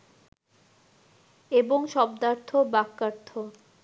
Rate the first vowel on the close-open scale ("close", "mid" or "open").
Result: mid